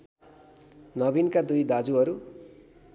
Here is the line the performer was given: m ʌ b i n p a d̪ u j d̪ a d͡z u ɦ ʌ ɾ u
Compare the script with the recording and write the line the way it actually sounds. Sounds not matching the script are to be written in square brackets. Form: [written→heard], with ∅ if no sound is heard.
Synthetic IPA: [m→n] ʌ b i n [p→k] a d̪ u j d̪ a d͡z u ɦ ʌ ɾ u